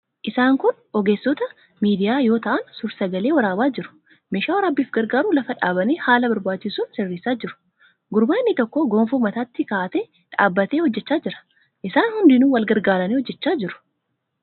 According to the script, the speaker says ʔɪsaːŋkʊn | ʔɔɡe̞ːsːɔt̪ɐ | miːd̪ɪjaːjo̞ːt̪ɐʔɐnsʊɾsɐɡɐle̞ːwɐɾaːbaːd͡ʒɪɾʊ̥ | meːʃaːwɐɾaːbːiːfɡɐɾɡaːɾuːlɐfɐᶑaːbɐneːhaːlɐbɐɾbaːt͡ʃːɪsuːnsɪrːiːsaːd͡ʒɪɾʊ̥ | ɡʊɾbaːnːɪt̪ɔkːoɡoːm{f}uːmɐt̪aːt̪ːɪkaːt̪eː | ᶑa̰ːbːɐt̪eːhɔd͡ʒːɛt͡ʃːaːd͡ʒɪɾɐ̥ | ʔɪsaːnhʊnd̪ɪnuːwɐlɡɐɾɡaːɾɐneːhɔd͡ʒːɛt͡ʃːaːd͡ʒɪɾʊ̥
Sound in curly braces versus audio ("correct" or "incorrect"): correct